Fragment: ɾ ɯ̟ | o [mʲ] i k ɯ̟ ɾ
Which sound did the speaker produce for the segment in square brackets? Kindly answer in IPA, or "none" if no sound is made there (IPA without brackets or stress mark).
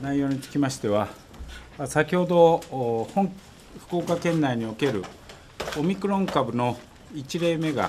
mʲ